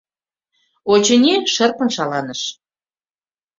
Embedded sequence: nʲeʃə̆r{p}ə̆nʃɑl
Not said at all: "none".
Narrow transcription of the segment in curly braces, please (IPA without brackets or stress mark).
p